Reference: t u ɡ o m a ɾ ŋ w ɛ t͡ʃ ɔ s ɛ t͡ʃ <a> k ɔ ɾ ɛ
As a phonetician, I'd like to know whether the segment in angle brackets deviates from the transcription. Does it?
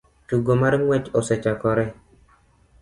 no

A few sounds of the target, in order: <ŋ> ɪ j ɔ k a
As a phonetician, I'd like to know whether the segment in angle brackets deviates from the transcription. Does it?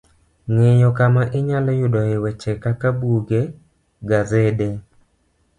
no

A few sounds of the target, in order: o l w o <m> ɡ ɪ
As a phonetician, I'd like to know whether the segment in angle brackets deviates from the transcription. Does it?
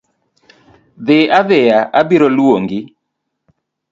yes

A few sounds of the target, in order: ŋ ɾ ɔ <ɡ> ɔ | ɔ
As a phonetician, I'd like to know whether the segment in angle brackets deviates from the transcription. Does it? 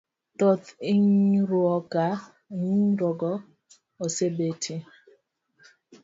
no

